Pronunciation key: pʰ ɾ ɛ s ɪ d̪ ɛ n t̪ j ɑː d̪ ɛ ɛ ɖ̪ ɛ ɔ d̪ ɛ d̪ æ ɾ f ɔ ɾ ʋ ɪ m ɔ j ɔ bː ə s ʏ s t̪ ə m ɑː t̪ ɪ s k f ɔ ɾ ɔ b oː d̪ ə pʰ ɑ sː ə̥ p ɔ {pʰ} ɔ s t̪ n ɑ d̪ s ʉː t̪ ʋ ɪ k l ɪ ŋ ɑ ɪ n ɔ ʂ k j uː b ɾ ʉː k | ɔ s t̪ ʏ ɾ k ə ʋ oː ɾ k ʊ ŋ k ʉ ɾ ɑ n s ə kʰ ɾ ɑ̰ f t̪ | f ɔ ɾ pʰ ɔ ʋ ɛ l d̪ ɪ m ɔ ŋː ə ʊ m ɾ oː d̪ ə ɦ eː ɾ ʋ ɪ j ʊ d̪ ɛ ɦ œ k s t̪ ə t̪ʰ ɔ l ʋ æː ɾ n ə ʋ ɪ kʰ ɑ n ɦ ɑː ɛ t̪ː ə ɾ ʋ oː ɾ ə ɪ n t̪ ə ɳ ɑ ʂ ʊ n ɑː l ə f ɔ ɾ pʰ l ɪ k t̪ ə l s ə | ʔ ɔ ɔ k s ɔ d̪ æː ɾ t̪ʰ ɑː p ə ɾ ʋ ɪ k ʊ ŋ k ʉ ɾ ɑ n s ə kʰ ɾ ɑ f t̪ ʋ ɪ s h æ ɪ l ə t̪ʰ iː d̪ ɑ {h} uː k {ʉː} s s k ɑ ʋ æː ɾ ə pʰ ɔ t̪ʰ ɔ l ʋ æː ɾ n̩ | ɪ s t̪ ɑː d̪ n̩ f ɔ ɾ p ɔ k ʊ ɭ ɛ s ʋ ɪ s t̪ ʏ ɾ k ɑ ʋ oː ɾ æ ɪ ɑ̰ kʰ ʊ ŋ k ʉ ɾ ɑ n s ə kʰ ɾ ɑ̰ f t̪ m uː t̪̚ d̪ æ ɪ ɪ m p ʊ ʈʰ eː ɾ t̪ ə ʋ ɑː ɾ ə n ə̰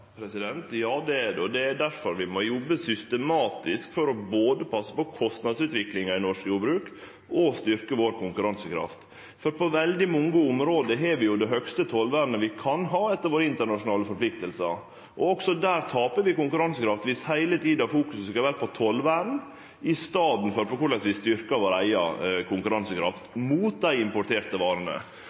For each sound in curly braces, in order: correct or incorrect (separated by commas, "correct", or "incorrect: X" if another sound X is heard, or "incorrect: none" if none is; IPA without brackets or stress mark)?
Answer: incorrect: kʰ, incorrect: f, incorrect: ʉ